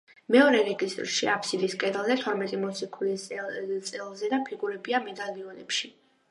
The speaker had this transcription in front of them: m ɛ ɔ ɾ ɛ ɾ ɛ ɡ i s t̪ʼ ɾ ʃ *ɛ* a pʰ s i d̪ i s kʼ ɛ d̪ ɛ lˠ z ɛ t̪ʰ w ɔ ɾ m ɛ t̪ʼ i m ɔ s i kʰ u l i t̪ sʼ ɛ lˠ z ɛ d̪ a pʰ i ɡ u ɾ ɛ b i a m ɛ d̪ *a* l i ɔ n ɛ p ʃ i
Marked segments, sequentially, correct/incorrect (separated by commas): incorrect, correct